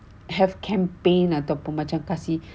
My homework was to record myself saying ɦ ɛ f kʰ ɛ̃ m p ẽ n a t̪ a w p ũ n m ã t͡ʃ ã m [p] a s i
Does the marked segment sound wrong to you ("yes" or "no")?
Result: yes